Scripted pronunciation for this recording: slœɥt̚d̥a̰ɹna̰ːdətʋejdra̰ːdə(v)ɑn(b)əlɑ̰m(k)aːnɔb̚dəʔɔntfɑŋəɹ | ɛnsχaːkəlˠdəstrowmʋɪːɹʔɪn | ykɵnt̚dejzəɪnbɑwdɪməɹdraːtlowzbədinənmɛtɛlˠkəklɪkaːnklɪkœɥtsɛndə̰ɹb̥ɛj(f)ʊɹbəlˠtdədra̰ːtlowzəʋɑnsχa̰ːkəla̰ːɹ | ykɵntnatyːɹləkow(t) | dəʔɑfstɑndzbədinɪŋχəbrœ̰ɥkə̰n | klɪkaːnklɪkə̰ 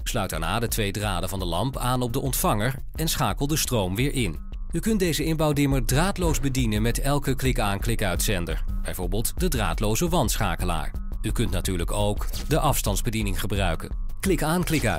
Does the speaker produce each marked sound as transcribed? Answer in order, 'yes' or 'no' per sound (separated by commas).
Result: yes, no, no, no, no